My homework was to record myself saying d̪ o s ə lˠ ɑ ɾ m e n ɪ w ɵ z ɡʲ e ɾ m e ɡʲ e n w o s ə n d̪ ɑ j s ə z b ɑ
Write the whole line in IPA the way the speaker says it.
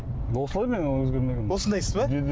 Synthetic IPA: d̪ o s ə lˠ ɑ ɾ m e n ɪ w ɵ z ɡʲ e ɾ m e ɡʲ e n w o s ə n d̪ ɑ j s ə z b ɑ